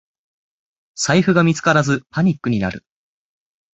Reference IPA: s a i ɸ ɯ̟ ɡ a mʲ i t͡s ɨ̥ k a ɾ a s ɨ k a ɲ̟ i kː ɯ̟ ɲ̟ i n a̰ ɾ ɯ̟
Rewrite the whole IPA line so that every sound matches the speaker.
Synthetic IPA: s a i ɸ ɯ̟ ɡ a mʲ i t͡s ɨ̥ k a ɾ a z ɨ p a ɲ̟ i kː ɯ̟ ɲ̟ i n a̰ ɾ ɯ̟